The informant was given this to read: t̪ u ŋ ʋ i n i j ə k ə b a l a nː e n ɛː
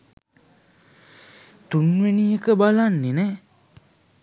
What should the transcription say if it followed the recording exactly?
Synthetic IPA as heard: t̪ u n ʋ e n i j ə k ə b a l a nː e n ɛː